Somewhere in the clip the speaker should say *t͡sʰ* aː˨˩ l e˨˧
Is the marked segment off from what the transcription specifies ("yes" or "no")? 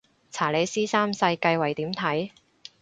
no